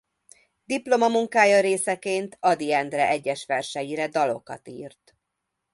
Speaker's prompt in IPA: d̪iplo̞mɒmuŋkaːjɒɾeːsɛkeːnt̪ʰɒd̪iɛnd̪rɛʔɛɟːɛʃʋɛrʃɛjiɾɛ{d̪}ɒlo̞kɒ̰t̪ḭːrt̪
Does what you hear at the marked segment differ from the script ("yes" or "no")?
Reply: no